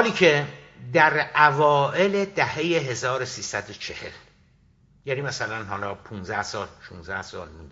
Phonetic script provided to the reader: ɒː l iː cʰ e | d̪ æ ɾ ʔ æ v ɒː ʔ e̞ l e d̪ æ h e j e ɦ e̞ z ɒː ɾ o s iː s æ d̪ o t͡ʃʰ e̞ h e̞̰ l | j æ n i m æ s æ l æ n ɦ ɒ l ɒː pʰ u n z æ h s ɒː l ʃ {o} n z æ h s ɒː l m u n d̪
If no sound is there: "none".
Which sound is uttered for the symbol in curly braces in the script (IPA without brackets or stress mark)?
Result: u